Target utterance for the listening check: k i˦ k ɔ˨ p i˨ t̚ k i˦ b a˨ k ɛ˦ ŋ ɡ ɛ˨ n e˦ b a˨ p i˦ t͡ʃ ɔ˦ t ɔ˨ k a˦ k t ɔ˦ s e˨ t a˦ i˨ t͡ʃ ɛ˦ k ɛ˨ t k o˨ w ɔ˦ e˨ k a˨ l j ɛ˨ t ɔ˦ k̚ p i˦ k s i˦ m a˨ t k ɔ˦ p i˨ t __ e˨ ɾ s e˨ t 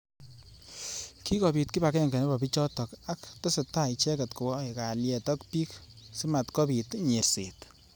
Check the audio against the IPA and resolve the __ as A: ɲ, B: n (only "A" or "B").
A